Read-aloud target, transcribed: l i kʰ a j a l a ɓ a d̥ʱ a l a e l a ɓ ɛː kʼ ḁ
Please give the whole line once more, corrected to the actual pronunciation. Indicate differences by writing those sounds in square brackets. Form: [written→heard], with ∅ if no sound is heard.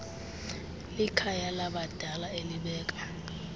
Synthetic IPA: l i kʰ a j a l a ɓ a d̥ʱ a l a e l [a→i] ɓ ɛː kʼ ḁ